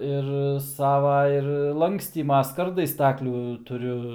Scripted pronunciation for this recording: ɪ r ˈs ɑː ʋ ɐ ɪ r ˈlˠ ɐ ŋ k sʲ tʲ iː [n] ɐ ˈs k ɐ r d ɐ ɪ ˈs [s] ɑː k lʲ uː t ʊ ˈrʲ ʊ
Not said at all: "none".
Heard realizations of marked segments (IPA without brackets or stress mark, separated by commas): m, t